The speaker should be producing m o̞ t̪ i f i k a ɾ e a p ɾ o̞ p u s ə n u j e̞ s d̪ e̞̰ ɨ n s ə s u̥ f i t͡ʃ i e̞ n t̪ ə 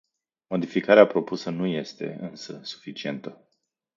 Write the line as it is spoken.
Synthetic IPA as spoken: m o̞ d̪ i f i k a ɾ e a p ɾ o̞ p u s ə n u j e̞ s t̪ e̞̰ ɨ n s ə s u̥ f i t͡ʃ i e̞ n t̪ ə